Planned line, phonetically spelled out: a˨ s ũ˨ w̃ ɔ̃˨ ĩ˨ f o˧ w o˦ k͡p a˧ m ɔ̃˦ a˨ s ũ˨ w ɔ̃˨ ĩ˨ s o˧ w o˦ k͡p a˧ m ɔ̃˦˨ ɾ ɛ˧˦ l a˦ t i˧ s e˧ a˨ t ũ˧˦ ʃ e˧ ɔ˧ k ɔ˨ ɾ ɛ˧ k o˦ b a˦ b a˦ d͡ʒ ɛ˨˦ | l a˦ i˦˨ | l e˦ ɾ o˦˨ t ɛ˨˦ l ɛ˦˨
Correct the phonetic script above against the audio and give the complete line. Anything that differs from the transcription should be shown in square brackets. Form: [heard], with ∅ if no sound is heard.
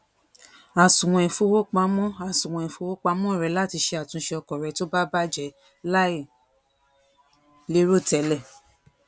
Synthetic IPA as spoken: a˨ s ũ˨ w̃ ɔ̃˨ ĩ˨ f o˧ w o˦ k͡p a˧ m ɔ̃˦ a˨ s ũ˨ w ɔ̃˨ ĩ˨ [f] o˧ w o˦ k͡p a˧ m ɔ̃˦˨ ɾ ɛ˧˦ l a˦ t i˧ [ʃ] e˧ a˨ t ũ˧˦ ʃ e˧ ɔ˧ k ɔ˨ ɾ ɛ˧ [t] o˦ b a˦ b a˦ d͡ʒ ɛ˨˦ | l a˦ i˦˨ | l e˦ ɾ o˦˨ t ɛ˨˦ l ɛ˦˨